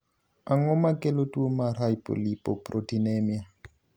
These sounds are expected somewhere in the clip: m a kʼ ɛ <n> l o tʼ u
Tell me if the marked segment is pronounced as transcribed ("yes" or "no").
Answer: no